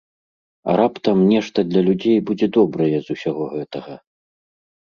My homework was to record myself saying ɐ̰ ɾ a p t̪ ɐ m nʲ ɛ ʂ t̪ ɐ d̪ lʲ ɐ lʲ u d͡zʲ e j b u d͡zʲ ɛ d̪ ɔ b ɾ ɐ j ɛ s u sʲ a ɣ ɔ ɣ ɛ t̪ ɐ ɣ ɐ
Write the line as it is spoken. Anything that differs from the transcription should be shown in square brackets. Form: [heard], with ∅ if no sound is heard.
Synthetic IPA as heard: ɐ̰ ɾ a p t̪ ɐ m nʲ ɛ ʂ t̪ ɐ d̪ lʲ ɐ lʲ u d͡zʲ e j b u d͡zʲ ɛ d̪ ɔ b ɾ ɐ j ɛ [z] u sʲ a ɣ ɔ ɣ ɛ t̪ ɐ ɣ ɐ